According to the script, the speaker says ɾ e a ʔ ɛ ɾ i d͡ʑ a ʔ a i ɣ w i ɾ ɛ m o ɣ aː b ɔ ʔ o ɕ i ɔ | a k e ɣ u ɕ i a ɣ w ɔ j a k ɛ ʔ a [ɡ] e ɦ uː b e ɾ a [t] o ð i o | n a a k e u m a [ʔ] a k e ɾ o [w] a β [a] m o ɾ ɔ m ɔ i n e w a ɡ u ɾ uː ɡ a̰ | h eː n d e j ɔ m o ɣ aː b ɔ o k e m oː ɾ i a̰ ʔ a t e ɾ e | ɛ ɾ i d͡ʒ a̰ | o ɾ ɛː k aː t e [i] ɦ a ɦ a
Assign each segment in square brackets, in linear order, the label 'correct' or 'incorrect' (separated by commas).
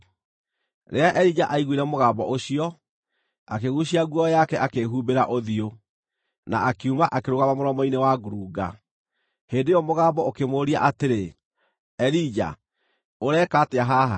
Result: incorrect, incorrect, correct, incorrect, correct, incorrect